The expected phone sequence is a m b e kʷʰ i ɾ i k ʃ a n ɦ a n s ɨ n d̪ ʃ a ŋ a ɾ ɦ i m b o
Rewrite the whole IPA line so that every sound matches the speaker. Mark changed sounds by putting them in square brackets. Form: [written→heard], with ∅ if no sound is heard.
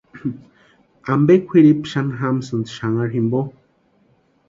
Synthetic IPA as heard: a m b e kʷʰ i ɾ i [k→p] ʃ a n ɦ a [n→m] s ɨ n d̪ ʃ a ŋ a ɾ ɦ i m b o